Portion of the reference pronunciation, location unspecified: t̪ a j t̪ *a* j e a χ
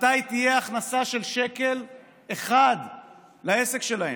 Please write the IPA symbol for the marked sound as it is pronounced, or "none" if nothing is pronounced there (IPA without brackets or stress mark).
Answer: i